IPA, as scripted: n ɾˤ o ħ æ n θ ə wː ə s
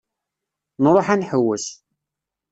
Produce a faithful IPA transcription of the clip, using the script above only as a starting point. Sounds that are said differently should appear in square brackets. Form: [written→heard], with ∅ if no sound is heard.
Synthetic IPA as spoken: n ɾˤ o ħ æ n [θ→ħ] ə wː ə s